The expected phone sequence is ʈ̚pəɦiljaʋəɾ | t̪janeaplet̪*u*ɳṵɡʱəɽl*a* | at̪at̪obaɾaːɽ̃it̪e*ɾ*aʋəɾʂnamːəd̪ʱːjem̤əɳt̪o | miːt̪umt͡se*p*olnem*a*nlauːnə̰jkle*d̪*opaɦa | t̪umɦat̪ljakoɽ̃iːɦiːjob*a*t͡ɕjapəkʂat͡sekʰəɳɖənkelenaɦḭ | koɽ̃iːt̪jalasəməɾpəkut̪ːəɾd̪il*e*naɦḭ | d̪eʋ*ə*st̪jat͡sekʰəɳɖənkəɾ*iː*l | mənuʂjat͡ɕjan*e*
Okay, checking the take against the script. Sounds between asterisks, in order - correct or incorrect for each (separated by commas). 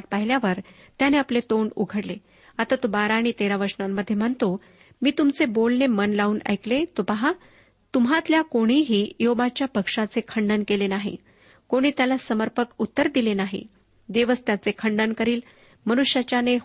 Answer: incorrect, incorrect, correct, incorrect, incorrect, incorrect, correct, correct, correct, correct, correct